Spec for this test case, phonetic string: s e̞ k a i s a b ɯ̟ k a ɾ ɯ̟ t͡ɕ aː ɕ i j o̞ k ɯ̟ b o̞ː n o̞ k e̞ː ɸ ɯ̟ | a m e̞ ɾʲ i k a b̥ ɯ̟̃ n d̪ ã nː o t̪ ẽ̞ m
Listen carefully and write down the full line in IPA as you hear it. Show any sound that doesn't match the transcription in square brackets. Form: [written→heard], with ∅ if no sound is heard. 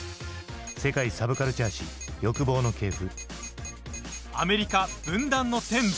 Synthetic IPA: s e̞ k a i s a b ɯ̟ k a ɾ ɯ̟ t͡ɕ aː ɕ i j o̞ k ɯ̟ b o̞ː n o̞ k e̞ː ɸ ɯ̟ | a m e̞ ɾʲ i k a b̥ ɯ̟̃ n d̪ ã nː o t̪ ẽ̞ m